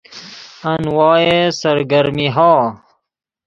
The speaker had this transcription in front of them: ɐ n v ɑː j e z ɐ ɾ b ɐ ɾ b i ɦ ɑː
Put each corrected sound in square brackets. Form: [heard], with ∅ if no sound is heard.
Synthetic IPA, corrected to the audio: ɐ n [w] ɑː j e [s] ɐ ɾ [ɡ] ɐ ɾ [m] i ɦ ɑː